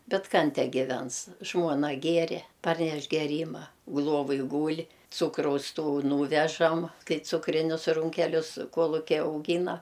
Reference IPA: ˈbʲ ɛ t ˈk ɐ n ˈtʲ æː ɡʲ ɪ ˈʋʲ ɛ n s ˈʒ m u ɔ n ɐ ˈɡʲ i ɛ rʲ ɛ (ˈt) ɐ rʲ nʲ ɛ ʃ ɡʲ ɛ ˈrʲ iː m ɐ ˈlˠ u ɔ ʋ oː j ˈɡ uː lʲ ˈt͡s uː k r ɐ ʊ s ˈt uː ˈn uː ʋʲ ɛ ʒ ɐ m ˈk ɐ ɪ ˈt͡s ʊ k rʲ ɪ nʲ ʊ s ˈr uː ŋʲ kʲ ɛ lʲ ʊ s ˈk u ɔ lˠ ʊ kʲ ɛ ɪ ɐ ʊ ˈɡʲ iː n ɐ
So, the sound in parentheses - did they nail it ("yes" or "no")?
no